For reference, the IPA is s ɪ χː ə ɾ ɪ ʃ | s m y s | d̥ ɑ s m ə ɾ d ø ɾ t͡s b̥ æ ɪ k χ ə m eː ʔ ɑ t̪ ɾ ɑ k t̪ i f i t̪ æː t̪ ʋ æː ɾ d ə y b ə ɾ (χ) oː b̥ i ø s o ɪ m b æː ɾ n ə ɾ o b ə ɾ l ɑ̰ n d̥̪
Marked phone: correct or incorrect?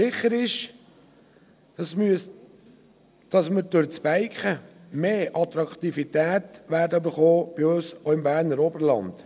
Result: correct